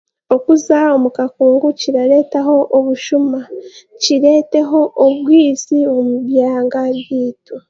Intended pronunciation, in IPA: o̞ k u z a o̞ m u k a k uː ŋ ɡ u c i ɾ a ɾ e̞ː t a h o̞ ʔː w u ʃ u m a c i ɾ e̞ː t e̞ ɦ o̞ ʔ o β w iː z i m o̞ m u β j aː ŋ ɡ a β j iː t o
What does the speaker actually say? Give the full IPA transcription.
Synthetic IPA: o̞ k u z a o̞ m u k a k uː ŋ ɡ u c i ɾ a ɾ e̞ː t a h o̞ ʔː β u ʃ u m a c i ɾ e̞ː t e̞ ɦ o̞ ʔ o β w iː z i o̞ m u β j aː ŋ ɡ a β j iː t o